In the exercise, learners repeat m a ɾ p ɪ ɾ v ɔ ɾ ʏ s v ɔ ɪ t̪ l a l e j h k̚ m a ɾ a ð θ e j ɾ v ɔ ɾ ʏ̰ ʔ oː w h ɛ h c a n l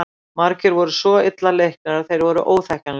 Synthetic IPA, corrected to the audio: m a ɾ c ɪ ɾ v ɔ ɾ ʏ s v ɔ ɪ t̪ l a l e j h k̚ n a ɾ a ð θ e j ɾ v ɔ ɾ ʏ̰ ʔ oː w θ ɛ h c a n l